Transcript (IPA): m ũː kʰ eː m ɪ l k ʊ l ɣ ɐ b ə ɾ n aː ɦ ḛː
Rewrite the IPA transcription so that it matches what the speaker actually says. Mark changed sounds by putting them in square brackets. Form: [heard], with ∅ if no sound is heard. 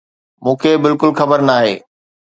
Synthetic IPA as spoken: m ũː kʰ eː [b] ɪ l k ʊ l [x] ɐ b ə ɾ n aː ɦ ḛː